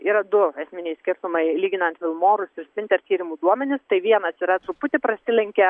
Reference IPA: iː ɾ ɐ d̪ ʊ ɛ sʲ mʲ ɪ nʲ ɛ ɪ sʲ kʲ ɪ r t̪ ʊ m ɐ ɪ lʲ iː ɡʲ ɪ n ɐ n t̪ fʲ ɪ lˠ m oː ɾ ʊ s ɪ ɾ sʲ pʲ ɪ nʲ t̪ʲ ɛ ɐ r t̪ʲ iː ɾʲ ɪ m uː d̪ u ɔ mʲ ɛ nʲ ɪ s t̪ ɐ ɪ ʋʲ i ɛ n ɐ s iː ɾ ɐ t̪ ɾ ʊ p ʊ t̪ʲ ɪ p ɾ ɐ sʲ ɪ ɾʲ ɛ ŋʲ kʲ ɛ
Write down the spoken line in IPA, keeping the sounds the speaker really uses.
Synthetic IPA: iː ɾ ɐ d̪ ʊ ɛ sʲ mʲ ɪ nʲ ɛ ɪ sʲ kʲ ɪ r t̪ ʊ m ɐ ɪ lʲ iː ɡʲ ɪ n ɐ n t̪ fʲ ɪ lˠ m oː ɾ ʊ s ɪ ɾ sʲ pʲ ɪ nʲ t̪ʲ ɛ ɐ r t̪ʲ iː ɾʲ ɪ m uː d̪ u ɔ mʲ ɛ nʲ ɪ s t̪ ɐ ɪ ʋʲ i ɛ n ɐ s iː ɾ ɐ t̪ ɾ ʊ p ʊ t̪ʲ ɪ p ɾ ɐ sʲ ɪ lʲ ɛ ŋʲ kʲ ɛ

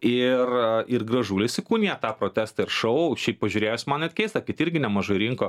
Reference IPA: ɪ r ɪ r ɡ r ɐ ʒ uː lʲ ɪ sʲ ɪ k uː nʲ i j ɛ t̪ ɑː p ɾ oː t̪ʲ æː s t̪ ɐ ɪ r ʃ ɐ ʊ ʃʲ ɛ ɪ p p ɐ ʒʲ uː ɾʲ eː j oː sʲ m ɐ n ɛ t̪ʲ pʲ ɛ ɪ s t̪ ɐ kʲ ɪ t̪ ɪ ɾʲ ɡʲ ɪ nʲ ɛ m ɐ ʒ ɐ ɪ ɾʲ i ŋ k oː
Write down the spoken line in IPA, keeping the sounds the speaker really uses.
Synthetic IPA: ɪ r ɪ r ɡ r ɐ ʒ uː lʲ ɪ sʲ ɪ k uː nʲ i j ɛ t̪ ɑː p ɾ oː t̪ʲ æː s t̪ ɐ ɪ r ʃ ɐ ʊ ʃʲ ɛ ɪ p p ɐ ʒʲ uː ɾʲ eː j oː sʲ m ɐ n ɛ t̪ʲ kʲ ɛ ɪ s t̪ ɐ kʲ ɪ t̪ ɪ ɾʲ ɡʲ ɪ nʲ ɛ m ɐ ʒ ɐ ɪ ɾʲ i ŋ k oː

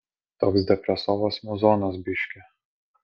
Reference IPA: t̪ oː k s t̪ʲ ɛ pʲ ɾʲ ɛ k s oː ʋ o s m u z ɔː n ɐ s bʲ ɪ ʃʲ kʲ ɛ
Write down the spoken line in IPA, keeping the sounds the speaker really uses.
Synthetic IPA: t̪ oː k s d̪ʲ ɛ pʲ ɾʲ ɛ s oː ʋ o s m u z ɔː n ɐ s bʲ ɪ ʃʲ kʲ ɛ

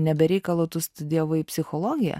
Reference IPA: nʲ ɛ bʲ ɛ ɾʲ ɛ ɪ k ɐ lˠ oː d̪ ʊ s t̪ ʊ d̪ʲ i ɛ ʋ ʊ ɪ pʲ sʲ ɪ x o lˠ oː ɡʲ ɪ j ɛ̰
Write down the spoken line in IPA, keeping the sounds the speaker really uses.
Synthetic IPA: nʲ ɛ bʲ ɛ ɾʲ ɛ ɪ k ɐ lˠ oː t̪ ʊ s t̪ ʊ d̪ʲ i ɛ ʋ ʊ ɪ pʲ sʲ ɪ x o lˠ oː ɡʲ ɪ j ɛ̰

